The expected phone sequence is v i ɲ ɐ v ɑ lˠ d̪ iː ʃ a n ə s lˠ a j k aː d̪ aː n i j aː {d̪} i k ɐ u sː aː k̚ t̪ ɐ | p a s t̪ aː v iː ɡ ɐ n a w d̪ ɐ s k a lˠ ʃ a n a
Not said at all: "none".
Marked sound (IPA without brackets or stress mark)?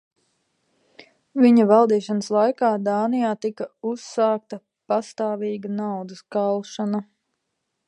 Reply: t̪